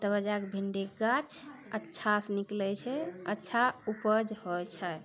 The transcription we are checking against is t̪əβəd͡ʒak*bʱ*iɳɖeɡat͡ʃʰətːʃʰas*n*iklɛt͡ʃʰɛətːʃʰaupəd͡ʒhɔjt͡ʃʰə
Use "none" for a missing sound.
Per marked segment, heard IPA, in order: bʱ, n

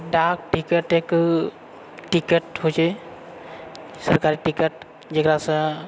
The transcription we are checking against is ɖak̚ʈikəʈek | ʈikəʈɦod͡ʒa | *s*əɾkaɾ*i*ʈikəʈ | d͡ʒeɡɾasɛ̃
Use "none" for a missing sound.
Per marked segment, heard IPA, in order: s, i

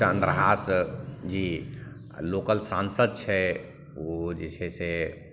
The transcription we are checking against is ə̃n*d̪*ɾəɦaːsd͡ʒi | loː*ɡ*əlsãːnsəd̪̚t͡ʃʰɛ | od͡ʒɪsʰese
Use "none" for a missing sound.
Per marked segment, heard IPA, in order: d̪, k

